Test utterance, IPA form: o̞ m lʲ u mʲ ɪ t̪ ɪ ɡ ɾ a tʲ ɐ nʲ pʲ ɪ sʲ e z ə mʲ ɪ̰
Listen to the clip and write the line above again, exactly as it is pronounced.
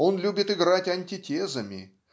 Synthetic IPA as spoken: o̞ n lʲ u bʲ ɪ t̪ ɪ ɡ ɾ a tʲ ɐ nʲ tʲ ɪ tʲ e z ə mʲ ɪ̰